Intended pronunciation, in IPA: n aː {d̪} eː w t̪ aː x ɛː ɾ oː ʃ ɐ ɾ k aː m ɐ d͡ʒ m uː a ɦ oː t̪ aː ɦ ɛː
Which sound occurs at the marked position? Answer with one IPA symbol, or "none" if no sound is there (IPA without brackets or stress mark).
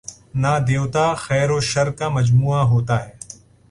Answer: d̪